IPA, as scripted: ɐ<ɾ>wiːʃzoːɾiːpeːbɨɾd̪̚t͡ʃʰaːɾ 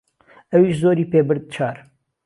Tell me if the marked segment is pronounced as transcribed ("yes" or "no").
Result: no